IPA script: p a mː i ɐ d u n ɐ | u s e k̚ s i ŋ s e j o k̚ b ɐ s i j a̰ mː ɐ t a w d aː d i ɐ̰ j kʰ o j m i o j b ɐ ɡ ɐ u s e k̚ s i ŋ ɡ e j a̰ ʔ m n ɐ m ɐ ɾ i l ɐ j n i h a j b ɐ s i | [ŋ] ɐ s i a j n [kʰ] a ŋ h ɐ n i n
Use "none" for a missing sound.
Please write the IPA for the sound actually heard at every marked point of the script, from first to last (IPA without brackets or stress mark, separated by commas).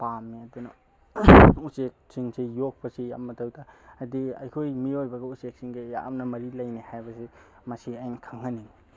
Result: m, kʰ